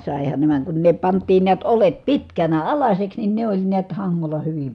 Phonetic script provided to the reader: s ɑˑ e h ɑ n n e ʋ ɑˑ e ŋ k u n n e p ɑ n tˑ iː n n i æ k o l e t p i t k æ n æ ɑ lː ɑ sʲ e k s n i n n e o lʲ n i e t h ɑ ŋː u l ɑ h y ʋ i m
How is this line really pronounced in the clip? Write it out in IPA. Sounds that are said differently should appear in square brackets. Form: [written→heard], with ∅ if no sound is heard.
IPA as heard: s ɑˑ e h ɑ n n e ʋ ɑˑ e ŋ k u n n e p ɑ n tˑ iː n n i æ [k→t] o l e t p i t k æ n æ ɑ [lː→l] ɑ sʲ e k s n i n n e o lʲ n i [e→æ] t h ɑ ŋː [u→o] l ɑ h y ʋ i m